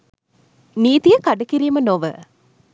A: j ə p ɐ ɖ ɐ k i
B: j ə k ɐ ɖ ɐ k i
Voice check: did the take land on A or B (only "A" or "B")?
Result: B